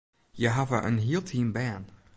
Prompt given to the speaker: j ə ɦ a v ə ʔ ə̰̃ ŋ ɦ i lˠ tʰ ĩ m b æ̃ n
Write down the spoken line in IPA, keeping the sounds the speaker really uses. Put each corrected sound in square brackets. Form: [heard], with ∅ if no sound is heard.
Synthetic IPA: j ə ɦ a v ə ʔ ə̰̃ [n] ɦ i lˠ tʰ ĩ m b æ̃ n